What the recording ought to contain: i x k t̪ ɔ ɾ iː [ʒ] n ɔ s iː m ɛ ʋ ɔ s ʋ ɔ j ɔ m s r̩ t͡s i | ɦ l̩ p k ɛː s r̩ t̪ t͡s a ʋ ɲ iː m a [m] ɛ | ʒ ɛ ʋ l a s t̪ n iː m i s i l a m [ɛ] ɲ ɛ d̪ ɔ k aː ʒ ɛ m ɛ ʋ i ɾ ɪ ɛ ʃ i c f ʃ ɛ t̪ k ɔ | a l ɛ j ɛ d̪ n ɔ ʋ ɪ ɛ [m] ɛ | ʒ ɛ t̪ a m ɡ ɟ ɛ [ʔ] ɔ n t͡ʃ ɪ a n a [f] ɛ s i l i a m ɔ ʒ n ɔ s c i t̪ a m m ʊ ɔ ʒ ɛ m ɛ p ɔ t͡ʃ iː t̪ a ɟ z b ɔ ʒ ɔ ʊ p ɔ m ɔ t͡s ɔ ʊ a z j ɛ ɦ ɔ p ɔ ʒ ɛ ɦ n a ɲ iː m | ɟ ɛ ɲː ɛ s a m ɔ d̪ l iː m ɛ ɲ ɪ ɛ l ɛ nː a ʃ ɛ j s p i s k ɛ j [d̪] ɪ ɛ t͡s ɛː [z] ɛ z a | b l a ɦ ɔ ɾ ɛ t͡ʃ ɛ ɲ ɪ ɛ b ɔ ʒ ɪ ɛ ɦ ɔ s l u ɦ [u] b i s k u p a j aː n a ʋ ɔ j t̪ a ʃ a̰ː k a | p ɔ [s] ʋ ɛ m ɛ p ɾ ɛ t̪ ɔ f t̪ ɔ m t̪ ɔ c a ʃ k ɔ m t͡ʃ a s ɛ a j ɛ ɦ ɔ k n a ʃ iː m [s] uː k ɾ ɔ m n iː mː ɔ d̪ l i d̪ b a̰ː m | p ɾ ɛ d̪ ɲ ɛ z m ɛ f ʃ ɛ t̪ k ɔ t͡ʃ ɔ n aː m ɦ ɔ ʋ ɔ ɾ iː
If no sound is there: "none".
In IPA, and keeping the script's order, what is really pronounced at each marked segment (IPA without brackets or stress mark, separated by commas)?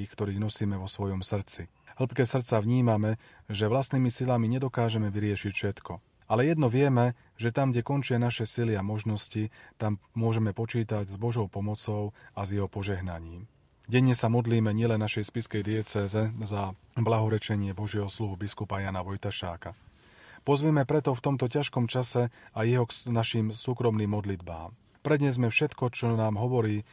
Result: ɣ, m, i, m, k, ʃ, d̪, z, u, z, s